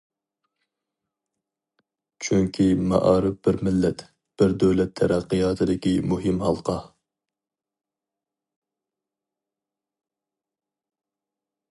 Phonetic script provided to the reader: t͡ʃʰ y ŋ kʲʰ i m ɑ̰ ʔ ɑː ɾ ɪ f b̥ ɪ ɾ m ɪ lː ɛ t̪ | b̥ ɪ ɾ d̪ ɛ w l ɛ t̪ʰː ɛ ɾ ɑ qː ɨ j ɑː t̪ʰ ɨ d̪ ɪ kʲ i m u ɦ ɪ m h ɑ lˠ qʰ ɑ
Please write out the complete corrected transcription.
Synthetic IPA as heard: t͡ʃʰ y ŋ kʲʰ i m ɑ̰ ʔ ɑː ɾ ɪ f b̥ ɪ ɾ m ɪ lː ɛ t̪ | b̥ ɪ ɾ d̪ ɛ w l ɛ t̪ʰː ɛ ɾ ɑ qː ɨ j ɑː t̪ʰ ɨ d̪ ɪ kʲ i m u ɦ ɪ m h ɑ lˠ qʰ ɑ